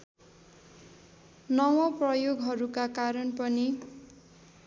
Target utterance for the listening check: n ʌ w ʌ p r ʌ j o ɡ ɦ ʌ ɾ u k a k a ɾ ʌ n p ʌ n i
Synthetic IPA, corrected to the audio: n ʌ w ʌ p r ʌ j o ɡ ɦ ʌ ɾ u k a k a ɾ ʌ n p ʌ n i